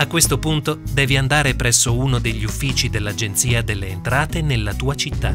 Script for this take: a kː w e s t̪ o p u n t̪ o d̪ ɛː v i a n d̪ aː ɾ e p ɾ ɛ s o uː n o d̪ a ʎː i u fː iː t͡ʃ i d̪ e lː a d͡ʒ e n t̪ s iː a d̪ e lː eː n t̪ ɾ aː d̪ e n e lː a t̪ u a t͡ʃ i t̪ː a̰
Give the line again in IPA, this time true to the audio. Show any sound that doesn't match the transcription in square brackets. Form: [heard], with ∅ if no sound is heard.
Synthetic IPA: a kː w e s t̪ o p u n t̪ o d̪ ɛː v i a n d̪ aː ɾ e p ɾ ɛ [sː] o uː n o d̪ [e] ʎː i u fː iː t͡ʃ i d̪ e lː a d͡ʒ e n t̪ s iː a d̪ e lː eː n t̪ ɾ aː [t̪] e n e lː a t̪ [uː] a t͡ʃ i t̪ː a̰